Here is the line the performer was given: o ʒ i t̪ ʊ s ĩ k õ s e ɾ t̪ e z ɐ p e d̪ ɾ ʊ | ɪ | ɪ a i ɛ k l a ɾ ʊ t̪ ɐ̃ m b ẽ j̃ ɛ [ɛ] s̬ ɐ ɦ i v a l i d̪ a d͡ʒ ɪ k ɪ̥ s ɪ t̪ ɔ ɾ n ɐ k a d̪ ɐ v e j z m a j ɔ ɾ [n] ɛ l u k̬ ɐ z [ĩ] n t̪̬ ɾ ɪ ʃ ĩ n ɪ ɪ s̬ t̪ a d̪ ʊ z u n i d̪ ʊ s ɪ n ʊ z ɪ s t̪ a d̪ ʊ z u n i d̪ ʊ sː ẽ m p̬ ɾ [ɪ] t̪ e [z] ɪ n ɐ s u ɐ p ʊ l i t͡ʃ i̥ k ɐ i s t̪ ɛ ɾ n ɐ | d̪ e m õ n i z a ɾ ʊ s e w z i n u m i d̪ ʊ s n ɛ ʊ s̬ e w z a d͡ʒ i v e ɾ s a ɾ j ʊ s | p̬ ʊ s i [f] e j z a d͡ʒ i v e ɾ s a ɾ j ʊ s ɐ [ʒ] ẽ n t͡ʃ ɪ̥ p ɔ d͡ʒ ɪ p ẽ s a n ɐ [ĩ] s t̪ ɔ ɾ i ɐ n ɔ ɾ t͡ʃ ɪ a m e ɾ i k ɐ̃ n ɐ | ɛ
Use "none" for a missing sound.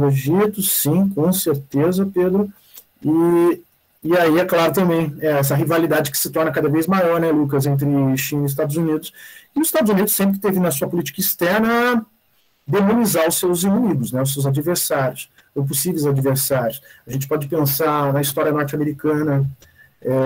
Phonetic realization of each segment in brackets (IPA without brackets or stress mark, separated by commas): ɛ, n, ẽ, ɪ, v, v, ʒ, i